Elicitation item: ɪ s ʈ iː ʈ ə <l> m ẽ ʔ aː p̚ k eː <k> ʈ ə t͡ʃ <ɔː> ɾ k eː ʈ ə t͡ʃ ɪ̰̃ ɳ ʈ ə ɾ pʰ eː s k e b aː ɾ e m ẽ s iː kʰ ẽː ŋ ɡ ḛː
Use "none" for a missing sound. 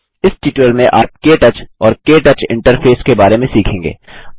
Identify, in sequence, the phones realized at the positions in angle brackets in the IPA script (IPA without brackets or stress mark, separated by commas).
l, none, ɔː